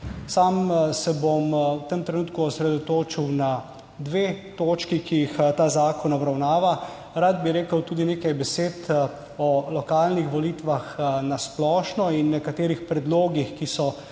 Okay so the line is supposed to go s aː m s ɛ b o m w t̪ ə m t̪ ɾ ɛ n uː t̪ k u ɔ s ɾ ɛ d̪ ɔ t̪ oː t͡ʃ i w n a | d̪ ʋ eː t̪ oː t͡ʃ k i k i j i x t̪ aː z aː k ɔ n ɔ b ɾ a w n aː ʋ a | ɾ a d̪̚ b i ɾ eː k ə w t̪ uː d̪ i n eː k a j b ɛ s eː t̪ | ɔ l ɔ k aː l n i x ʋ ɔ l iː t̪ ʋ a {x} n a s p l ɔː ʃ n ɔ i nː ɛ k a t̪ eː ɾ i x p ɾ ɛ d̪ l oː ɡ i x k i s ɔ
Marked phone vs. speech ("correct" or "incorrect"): correct